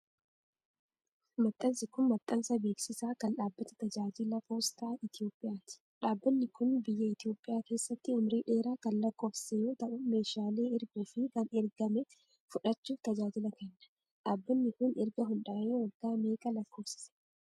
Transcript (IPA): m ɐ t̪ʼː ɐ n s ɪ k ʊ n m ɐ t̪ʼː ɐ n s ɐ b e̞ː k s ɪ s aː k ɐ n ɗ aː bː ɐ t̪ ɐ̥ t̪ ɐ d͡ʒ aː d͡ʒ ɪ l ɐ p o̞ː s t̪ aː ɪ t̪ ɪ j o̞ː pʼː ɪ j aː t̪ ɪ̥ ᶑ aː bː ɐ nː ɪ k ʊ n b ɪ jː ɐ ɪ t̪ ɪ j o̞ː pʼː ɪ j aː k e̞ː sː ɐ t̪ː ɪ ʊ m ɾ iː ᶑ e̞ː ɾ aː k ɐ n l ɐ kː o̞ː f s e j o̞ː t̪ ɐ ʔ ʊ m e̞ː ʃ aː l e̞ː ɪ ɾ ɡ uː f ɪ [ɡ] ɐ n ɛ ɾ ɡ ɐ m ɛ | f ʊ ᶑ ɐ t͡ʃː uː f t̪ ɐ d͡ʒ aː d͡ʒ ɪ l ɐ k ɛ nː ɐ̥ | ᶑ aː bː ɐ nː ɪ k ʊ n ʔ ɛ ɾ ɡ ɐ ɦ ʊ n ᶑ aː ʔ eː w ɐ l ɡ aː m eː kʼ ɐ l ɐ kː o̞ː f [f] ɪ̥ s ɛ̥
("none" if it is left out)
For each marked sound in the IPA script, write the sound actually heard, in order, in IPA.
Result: k, s

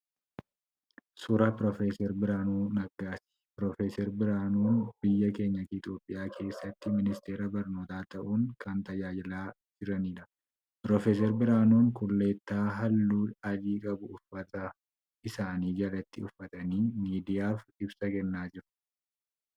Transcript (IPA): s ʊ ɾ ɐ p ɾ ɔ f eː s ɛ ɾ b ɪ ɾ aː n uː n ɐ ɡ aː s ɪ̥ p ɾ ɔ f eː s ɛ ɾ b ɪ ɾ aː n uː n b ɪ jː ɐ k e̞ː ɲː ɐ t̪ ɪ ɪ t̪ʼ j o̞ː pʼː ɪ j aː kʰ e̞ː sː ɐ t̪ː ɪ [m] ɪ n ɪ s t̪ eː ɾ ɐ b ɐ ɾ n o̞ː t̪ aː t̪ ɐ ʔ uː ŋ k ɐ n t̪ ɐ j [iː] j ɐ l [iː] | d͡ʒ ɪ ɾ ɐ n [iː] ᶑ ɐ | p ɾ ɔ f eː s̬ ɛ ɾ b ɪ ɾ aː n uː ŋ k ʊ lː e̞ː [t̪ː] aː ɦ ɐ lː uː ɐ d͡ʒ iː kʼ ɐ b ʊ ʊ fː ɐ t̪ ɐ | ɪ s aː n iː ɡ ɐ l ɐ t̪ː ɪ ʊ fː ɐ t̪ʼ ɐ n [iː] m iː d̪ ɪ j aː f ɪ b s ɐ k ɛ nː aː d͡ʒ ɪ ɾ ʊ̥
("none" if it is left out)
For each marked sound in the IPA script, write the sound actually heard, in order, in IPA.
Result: m, aː, aː, iː, t̪ː, iː

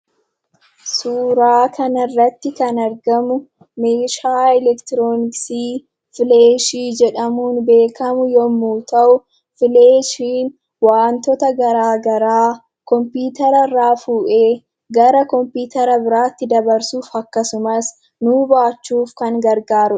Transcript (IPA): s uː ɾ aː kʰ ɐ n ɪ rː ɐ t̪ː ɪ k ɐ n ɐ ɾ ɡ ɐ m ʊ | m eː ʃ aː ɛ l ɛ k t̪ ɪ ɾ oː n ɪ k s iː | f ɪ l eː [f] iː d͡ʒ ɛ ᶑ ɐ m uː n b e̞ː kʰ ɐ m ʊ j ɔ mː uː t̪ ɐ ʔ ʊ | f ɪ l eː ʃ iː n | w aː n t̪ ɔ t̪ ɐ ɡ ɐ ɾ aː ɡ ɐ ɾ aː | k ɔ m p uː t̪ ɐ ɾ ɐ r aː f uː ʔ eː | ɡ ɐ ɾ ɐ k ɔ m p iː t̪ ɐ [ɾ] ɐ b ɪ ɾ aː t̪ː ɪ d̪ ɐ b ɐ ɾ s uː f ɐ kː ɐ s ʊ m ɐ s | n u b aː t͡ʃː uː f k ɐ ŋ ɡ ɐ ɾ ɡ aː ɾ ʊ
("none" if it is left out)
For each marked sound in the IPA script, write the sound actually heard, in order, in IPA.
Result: ʃ, ɾ

